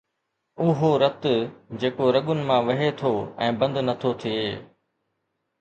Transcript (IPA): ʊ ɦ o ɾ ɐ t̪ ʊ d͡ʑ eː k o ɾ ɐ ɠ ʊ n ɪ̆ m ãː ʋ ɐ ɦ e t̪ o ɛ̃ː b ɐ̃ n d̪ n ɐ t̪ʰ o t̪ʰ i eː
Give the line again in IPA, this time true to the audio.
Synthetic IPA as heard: ʊ ɦ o ɾ ɐ t̪ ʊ d͡ʑ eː k o ɾ ɐ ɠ ʊ n ɪ̆ m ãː ʋ ɐ ɦ e t̪ʰ o ɛ̃ː b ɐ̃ n d̪ n ɐ t̪ʰ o t̪ʰ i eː